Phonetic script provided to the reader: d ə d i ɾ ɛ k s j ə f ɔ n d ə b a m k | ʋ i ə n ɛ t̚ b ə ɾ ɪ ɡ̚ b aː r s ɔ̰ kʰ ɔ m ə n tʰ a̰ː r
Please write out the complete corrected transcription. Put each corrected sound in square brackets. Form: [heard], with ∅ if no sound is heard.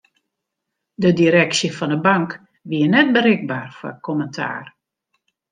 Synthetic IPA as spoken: d ə d i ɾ ɛ k s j ə f ɔ n d ə b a [ŋ] k | ʋ i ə n ɛ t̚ b ə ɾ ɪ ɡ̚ b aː r [f] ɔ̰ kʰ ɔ m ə n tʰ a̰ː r